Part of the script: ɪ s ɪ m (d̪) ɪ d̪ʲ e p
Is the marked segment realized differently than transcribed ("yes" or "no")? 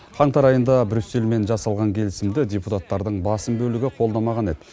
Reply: no